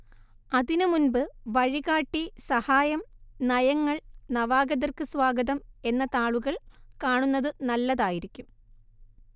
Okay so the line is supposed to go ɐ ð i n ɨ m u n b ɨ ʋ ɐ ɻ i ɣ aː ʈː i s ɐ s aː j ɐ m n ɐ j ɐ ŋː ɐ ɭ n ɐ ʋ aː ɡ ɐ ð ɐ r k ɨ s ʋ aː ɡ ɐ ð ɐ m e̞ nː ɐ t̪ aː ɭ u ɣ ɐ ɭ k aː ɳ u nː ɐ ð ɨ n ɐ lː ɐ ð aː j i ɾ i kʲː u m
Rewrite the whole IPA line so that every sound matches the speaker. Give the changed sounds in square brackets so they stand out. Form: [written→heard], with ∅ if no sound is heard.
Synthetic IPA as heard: ɐ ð i n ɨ m u n b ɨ ʋ ɐ ɻ i ɣ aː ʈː i s ɐ [s→h] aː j ɐ m n ɐ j ɐ ŋː ɐ ɭ n ɐ ʋ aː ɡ ɐ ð ɐ r k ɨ s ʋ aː ɡ ɐ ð ɐ m e̞ nː ɐ t̪ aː ɭ u ɣ ɐ ɭ k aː ɳ u nː ɐ ð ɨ n ɐ lː ɐ ð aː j i ɾ i kʲː u m